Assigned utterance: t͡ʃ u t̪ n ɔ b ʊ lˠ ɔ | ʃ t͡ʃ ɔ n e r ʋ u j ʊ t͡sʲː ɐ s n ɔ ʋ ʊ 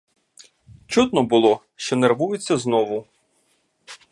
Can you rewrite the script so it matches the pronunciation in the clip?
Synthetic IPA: t͡ʃ u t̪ n ɔ b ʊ lˠ ɔ | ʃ t͡ʃ ɔ n e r ʋ u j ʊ t͡sʲː ɐ z n ɔ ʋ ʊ